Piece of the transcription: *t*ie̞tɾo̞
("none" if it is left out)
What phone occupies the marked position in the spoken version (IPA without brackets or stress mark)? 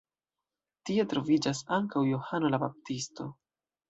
t